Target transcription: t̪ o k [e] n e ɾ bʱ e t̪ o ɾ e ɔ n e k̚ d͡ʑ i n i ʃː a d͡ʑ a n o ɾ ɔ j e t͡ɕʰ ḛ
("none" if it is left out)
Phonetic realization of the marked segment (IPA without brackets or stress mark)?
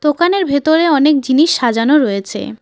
a